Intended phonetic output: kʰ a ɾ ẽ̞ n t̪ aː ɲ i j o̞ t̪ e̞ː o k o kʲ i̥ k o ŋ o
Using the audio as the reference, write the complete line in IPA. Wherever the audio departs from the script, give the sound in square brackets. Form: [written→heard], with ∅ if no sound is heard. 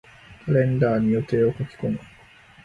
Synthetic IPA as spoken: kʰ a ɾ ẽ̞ n [t̪→d̪] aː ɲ i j o̞ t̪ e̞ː o k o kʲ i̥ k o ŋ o